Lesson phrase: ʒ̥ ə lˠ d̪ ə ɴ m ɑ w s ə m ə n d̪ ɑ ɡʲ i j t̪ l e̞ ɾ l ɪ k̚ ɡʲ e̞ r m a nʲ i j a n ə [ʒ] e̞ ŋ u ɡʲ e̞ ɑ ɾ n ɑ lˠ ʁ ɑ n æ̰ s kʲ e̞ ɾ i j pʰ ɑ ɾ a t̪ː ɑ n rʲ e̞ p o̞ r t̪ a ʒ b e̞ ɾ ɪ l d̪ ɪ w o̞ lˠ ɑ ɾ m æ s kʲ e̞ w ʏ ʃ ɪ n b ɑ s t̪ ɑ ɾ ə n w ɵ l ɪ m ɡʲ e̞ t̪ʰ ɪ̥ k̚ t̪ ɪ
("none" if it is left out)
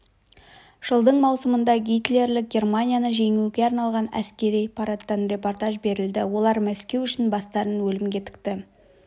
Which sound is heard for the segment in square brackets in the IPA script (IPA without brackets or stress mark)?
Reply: ʒ